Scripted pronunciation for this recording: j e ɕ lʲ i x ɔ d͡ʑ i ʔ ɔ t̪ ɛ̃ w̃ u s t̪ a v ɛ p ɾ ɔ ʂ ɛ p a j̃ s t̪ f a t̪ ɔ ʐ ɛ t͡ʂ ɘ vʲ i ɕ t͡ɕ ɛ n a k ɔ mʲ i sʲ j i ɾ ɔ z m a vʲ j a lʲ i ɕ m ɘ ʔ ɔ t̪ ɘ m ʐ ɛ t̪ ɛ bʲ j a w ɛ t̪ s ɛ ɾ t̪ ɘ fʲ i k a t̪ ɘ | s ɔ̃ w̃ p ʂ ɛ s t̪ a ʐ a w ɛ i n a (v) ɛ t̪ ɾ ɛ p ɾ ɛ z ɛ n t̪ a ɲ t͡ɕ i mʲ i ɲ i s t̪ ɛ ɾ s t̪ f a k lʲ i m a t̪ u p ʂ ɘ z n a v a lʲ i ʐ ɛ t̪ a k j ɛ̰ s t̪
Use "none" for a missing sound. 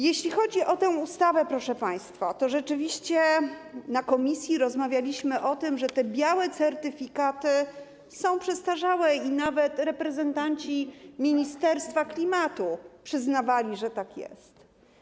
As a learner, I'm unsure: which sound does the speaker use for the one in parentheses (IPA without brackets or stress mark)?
v